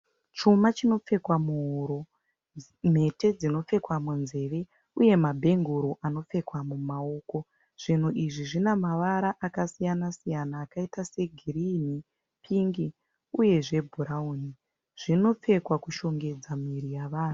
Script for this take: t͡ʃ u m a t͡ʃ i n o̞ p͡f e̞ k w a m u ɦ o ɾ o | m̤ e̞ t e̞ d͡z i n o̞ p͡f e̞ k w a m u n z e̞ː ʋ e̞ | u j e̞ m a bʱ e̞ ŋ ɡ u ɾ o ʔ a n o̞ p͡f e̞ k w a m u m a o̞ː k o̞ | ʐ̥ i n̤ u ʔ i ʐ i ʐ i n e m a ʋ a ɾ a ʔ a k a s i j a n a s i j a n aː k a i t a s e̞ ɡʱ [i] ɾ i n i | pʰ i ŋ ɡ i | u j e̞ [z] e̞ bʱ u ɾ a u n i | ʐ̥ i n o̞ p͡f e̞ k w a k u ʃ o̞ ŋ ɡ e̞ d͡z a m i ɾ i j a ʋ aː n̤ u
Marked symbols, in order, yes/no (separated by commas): yes, no